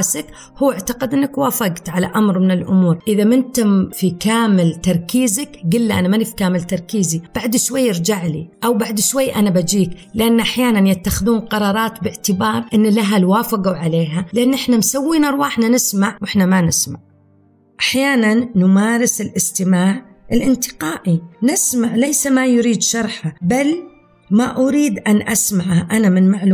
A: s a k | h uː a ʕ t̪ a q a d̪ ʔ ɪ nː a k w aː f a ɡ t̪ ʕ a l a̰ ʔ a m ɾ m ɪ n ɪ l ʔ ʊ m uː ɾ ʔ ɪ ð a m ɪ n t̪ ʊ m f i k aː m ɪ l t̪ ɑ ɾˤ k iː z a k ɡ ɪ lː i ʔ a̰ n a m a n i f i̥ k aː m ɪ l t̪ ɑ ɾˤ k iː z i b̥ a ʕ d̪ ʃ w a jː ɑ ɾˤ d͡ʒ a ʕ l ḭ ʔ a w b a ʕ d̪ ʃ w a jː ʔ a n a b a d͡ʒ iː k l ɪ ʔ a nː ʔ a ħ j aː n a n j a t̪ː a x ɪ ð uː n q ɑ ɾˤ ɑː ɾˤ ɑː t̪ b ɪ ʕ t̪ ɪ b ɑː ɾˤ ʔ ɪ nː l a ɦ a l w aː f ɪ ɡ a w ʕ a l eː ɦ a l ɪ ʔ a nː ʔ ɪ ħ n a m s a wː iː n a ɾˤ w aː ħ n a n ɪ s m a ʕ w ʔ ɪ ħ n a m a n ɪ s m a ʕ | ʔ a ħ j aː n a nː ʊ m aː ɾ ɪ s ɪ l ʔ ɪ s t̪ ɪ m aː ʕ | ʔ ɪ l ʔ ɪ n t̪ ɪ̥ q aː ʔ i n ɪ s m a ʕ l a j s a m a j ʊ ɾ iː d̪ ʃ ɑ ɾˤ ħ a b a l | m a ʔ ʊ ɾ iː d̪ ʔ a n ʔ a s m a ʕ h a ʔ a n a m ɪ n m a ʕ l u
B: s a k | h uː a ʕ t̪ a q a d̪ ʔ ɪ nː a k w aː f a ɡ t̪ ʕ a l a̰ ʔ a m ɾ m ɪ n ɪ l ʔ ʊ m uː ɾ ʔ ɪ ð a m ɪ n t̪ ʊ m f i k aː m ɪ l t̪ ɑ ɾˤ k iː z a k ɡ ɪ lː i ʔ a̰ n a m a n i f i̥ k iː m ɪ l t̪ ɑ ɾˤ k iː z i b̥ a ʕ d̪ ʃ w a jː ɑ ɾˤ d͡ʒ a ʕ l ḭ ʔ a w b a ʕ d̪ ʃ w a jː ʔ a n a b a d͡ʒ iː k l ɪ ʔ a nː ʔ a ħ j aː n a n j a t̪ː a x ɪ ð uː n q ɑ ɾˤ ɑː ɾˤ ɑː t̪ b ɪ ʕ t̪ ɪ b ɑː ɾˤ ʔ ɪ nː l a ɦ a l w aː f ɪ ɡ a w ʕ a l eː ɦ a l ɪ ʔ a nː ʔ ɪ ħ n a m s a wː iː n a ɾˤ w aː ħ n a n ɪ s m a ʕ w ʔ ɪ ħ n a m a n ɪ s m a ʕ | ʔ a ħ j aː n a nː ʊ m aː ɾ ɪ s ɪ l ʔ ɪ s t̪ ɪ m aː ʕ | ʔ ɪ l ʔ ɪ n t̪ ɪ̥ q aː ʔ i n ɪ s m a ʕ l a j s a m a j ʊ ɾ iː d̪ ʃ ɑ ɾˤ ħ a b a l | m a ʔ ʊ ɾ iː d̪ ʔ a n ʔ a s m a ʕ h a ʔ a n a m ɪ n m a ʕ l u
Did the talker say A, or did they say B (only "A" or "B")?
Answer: A